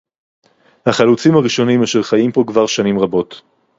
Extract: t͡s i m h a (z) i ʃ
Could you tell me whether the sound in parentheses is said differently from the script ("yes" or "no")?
yes